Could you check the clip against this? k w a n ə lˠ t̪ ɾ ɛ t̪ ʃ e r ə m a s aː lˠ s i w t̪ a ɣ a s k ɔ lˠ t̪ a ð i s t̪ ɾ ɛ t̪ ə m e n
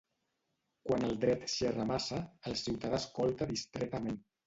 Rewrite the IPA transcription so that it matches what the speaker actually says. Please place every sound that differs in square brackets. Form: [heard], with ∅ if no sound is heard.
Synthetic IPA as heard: k w a n ə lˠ [d̪] ɾ ɛ t̪ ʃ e r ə m a s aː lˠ s i w t̪ a [ð] a s k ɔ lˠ t̪ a ð i s t̪ ɾ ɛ t̪ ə m e n